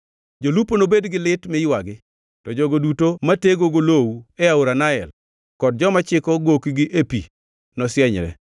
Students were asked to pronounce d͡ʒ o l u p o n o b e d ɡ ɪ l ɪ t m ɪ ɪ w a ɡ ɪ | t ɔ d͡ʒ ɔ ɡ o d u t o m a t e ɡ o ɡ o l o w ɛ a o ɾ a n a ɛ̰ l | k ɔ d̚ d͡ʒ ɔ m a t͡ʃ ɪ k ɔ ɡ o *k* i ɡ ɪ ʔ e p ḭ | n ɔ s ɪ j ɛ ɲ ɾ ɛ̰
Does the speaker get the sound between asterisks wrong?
no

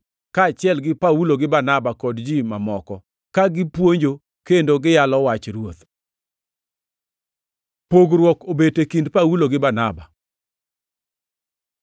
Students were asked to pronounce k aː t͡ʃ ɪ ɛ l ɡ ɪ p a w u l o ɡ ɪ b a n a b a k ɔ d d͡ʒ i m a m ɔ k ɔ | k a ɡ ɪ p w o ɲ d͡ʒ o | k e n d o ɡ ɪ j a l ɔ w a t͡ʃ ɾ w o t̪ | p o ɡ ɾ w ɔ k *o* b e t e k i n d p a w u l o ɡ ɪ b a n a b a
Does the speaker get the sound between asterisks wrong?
no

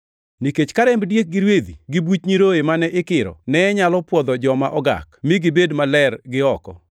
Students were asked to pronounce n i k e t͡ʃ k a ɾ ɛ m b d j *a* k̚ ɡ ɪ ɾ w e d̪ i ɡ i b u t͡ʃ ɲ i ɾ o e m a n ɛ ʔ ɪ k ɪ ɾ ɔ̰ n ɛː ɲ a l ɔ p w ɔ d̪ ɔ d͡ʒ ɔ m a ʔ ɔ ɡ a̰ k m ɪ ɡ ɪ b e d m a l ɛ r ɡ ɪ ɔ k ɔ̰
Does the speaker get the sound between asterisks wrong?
yes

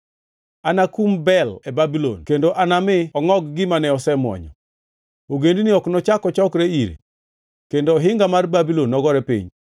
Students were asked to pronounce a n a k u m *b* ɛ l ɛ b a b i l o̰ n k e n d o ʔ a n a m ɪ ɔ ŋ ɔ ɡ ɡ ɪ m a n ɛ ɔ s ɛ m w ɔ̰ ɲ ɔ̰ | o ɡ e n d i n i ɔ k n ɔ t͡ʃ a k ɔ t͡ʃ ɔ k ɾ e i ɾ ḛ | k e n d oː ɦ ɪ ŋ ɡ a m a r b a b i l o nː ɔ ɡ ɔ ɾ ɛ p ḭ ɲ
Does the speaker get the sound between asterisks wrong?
no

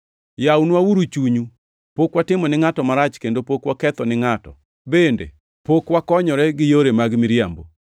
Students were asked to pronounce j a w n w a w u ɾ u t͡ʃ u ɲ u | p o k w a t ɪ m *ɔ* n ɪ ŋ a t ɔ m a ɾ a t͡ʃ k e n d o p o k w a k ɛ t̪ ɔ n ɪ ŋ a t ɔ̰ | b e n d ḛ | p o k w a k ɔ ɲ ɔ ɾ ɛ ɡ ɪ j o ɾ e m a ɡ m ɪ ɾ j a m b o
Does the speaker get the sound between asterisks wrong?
no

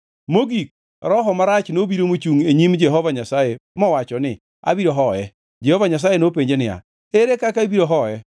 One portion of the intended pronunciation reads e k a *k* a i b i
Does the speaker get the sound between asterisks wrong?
no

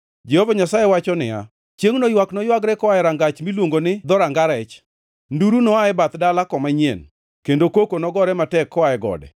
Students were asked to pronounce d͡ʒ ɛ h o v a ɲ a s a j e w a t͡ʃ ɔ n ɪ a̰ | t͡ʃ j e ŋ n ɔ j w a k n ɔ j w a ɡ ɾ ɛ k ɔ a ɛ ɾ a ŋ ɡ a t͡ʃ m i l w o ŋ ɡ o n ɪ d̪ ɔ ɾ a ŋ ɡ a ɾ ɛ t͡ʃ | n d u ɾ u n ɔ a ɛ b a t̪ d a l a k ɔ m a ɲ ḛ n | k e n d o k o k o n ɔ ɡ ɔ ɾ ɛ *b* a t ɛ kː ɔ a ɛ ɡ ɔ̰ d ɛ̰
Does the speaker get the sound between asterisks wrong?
yes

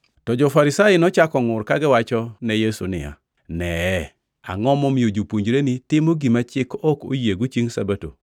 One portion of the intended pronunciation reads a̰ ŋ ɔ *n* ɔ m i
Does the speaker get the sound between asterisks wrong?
yes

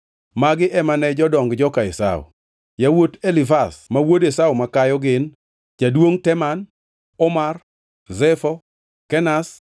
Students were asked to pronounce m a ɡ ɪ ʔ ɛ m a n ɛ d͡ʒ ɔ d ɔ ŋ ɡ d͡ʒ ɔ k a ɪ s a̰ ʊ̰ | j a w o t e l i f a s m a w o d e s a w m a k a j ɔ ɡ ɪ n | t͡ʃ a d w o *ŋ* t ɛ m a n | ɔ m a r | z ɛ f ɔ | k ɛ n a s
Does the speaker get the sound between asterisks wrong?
no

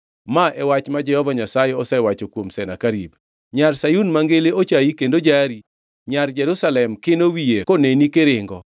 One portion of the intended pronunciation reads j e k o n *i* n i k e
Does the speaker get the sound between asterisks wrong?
yes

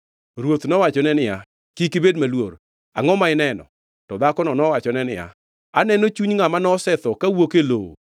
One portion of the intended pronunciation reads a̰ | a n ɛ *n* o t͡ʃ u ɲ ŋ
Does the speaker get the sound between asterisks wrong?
no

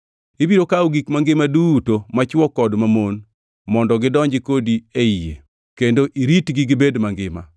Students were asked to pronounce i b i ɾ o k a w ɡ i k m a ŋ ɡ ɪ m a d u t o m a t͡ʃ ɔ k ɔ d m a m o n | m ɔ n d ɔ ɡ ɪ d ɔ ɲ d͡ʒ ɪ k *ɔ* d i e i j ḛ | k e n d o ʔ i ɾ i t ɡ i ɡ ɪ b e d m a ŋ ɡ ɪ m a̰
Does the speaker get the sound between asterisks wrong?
yes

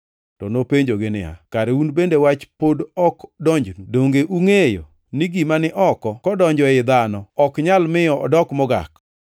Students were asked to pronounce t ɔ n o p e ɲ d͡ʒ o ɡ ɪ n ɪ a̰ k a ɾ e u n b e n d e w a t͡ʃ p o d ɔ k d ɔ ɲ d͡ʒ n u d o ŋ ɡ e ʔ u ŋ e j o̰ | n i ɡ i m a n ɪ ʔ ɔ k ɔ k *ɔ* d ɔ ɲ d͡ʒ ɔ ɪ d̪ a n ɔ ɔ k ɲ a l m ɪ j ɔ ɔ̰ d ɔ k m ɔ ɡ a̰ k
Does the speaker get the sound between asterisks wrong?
no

